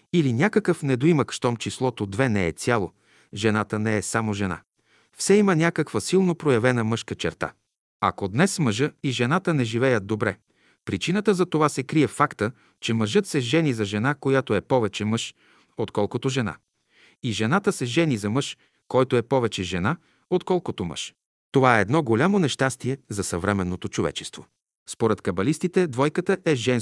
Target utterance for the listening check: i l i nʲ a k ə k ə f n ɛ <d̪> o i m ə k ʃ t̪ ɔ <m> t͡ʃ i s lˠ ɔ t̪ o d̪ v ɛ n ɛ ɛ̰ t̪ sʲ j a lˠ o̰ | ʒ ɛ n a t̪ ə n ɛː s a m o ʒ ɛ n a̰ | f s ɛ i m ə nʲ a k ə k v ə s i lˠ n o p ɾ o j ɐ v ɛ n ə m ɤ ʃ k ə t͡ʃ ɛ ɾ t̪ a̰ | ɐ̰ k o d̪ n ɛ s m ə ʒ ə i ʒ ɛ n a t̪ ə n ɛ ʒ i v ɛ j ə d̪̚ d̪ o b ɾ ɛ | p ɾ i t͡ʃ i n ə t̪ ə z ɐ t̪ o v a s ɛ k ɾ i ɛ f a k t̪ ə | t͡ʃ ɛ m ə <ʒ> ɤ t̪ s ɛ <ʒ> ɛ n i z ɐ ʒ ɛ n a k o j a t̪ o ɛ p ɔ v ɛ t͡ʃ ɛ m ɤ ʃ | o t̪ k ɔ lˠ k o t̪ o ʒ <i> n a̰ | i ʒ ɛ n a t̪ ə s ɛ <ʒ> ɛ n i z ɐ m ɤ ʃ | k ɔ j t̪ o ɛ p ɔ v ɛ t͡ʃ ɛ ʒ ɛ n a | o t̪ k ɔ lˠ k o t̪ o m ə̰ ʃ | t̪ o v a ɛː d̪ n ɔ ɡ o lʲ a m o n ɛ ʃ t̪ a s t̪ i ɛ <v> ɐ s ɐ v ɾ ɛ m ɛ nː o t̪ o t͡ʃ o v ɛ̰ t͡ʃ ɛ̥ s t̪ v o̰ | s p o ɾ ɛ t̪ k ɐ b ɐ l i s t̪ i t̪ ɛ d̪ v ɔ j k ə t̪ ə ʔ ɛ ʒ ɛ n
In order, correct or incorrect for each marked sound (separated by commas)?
correct, correct, correct, correct, incorrect, correct, incorrect